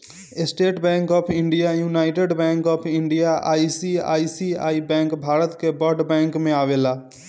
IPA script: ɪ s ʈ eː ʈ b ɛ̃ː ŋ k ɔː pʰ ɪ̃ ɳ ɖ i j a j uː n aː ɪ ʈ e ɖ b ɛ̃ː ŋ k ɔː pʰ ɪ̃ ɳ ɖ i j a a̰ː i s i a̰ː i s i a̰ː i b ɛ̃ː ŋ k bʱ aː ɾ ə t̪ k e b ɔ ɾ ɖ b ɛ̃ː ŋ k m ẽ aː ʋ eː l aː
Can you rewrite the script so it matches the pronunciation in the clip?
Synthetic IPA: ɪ s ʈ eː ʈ b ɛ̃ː ŋ k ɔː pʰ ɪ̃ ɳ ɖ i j a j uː n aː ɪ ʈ e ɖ b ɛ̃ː ŋ k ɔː pʰ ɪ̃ ɳ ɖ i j a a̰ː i s i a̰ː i s i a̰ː i b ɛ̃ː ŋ k bʱ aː ɾ ə t̪ k e b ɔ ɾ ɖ b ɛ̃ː ŋ k m ẽ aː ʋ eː l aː

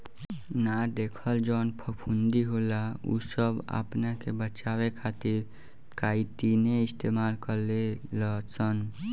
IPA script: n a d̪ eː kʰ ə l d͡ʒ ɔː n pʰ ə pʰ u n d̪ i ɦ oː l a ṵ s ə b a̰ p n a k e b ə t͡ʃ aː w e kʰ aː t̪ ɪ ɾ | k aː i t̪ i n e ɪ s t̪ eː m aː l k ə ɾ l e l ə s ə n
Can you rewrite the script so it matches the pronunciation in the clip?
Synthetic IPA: n a d̪ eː kʰ ə l d͡ʒ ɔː n pʰ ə pʰ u n d̪ i ɦ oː l a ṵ s ə b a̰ p n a k e b ə t͡ʃ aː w e kʰ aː t̪ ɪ ɾ | k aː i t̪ i n e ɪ s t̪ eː m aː l k ə ɾ l e l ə s ə n

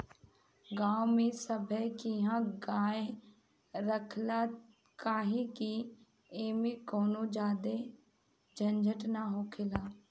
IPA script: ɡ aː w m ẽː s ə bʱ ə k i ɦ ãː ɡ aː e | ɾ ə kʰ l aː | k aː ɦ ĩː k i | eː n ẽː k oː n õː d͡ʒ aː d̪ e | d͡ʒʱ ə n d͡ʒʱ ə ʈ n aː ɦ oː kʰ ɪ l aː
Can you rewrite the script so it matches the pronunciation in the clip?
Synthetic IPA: ɡ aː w m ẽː s ə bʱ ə k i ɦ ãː ɡ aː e | ɾ ə kʰ l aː | k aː ɦ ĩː k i | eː m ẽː k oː n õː d͡ʒ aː d̪ e | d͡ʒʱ ə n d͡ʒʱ ə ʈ n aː ɦ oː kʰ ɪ l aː

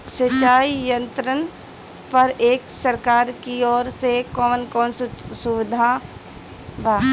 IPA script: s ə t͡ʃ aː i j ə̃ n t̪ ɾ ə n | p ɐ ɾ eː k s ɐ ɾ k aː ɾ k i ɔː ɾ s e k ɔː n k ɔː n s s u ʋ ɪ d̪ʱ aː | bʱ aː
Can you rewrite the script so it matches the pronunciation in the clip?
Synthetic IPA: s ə t͡ʃ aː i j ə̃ n t̪ ɾ ə n | p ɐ ɾ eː k s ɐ ɾ k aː ɾ k i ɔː ɾ s e k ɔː n k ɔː n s s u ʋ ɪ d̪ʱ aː | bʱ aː

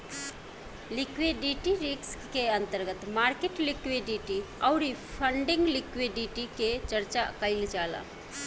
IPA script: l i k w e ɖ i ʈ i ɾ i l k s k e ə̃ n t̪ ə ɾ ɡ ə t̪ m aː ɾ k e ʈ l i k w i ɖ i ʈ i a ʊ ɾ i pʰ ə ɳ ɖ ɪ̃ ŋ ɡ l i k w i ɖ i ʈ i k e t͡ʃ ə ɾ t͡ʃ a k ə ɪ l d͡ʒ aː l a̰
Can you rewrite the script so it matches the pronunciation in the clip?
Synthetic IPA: l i k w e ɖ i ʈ i ɾ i k s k e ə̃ n t̪ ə ɾ ɡ ə t̪ m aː ɾ k e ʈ l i k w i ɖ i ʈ i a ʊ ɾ i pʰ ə ɳ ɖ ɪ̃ ŋ ɡ l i k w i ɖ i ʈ i k e t͡ʃ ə ɾ t͡ʃ a k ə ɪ l d͡ʒ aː l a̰

